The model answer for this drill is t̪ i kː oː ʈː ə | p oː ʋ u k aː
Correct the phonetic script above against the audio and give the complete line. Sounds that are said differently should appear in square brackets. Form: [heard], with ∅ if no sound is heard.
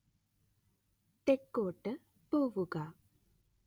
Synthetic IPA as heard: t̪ [e] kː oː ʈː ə | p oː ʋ u [ɡ] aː